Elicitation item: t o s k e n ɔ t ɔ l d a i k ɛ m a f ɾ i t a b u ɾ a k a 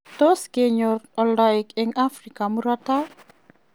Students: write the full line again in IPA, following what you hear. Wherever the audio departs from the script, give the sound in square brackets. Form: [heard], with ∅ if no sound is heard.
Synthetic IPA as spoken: t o s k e [ɲ] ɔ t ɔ l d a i k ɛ [ŋ] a f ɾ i [k] a [m] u ɾ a [t] a